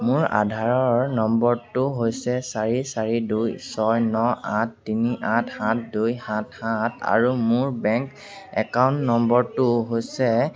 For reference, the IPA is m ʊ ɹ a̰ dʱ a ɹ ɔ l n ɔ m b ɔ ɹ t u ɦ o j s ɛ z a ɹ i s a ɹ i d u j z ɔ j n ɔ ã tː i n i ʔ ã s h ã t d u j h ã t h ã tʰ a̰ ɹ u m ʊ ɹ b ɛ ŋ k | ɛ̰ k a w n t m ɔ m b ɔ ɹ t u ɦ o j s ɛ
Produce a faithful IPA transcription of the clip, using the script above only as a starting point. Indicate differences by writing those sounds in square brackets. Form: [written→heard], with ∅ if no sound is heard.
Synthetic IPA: m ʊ ɹ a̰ dʱ a ɹ ɔ [l→ɹ] n ɔ m b ɔ ɹ t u ɦ o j s ɛ [z→s] a ɹ i s a ɹ i d u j [z→s] ɔ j n ɔ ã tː i n i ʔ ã [s→t] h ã t d u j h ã t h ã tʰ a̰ ɹ u m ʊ ɹ b ɛ ŋ k | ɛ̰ k a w n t [m→n] ɔ m b ɔ ɹ t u ɦ o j s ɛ

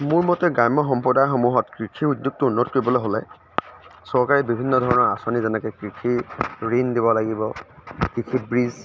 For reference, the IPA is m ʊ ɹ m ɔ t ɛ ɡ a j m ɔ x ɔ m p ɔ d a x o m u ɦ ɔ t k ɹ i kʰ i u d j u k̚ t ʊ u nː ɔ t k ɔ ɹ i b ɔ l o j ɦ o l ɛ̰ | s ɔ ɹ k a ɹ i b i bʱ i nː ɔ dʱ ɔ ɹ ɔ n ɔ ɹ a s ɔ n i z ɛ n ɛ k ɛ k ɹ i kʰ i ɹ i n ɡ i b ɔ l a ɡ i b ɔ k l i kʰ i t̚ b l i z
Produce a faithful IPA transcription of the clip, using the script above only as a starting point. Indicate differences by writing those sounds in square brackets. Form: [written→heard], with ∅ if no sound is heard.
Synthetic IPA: m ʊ ɹ m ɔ t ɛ ɡ a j m ɔ x ɔ m p ɔ d a x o m u ɦ ɔ t k ɹ i kʰ i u d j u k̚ t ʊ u nː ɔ t k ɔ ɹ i b ɔ l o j ɦ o l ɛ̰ | s ɔ ɹ k a ɹ i b i bʱ i nː ɔ dʱ ɔ ɹ ɔ n ɔ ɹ a s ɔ n i z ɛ n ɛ k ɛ k ɹ i kʰ i ɹ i n [ɡ→d] i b ɔ l a ɡ i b ɔ k [l→ɹ] i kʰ i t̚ b [l→ɹ] i z

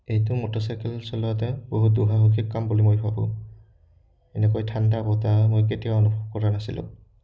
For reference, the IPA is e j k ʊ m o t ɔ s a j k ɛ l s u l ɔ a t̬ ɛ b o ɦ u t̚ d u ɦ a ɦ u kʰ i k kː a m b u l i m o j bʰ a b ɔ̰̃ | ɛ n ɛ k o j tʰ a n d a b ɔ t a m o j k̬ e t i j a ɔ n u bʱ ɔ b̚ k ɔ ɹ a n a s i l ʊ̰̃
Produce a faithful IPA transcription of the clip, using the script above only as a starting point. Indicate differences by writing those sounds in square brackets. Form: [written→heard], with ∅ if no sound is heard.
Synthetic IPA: e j [k→t] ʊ m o t ɔ s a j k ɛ l s [u→ɔ] l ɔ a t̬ ɛ b o ɦ u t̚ d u ɦ a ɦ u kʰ i k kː a m b u l i m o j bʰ a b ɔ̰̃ | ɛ n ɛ k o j tʰ a n d a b ɔ t a m o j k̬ e t i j a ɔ n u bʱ ɔ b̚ k ɔ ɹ a n a s i l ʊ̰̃

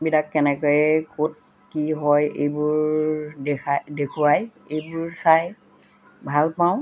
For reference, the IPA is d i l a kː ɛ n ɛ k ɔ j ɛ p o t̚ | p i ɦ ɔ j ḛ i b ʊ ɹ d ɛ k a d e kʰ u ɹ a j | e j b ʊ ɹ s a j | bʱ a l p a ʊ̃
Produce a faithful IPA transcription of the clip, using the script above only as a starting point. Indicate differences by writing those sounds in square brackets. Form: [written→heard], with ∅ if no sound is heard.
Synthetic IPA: [d→b] i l a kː ɛ n ɛ k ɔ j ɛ [p→k] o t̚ | [p→k] i ɦ ɔ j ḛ [i→j] b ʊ ɹ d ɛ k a d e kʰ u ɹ a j | e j b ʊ ɹ s a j | bʱ a l p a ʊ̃

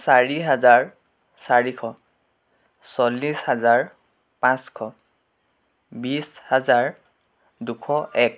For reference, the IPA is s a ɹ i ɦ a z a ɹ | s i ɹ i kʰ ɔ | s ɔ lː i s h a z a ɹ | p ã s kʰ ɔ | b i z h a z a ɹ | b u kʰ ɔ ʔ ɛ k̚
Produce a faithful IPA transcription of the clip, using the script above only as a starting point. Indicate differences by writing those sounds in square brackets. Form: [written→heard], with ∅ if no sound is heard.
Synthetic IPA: s a ɹ i ɦ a z a ɹ | s [i→a] ɹ i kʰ ɔ | s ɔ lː i s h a z a ɹ | p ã s kʰ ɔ | b i [z→s] h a z a ɹ | [b→d] u kʰ ɔ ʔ ɛ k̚

